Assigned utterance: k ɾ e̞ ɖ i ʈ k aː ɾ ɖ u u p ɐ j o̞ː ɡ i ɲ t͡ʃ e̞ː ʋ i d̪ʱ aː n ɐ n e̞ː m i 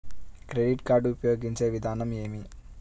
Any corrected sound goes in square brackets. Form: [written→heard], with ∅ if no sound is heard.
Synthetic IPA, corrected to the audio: k ɾ e̞ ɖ i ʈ k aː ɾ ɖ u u p ɐ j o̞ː ɡ i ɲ t͡ʃ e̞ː ʋ i d̪ʱ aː n ɐ [n→m] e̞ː m i